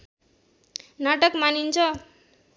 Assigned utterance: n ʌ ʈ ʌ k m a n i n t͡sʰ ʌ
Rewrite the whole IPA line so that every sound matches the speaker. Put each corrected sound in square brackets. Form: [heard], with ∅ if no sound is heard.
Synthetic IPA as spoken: n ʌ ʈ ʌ k m a n i n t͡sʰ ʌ